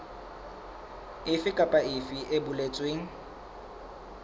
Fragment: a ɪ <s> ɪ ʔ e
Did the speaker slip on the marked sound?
yes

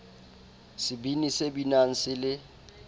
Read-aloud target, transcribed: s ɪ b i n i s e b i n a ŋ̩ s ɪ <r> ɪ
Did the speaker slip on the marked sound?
yes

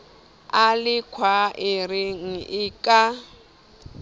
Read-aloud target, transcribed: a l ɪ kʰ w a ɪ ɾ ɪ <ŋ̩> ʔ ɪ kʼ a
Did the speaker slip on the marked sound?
no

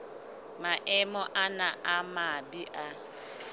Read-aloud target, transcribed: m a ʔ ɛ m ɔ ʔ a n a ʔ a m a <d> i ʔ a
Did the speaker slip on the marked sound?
yes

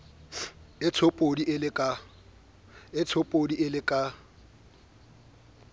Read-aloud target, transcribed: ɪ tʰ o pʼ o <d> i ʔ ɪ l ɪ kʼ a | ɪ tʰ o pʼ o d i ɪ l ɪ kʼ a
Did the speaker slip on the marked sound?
no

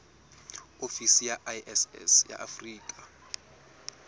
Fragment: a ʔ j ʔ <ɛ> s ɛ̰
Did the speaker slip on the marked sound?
no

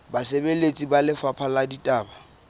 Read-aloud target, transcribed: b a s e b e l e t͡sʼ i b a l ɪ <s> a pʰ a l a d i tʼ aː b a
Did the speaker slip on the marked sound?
yes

